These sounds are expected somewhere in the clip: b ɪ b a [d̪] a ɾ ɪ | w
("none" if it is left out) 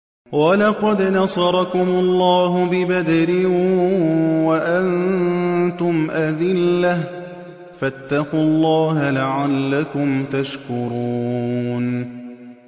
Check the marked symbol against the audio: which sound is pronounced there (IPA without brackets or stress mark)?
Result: d̪